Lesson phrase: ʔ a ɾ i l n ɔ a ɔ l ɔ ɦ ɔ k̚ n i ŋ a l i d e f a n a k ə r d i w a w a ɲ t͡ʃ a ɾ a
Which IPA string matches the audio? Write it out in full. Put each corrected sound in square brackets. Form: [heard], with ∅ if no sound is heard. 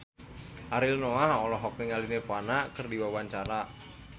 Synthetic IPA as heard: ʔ a ɾ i l n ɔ a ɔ l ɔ ɦ ɔ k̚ n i ŋ a l i [n] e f a n a k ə r d i w a w a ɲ t͡ʃ a ɾ a